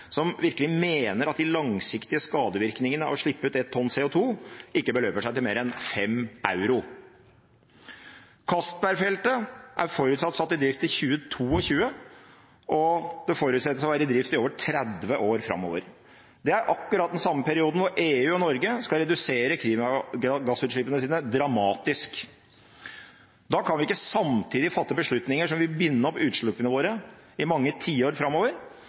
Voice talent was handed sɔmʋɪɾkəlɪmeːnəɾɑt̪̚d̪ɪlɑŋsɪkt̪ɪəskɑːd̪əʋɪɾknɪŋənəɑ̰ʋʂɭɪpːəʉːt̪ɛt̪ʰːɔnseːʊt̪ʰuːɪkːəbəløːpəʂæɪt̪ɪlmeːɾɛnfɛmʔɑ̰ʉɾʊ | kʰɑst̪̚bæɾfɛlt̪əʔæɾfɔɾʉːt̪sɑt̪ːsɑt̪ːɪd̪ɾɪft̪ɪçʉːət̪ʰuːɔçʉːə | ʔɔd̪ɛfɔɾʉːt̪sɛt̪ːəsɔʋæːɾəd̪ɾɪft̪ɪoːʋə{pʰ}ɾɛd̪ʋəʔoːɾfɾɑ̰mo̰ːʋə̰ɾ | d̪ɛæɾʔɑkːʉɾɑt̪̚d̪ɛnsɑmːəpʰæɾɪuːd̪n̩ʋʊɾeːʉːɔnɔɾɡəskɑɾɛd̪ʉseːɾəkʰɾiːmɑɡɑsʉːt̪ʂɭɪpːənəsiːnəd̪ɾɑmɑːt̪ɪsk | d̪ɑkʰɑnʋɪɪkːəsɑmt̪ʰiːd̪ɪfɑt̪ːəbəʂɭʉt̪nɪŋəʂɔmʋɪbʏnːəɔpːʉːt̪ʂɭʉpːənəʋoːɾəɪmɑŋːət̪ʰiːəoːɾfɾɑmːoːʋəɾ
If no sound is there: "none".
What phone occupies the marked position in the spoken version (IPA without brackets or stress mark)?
ʈʰ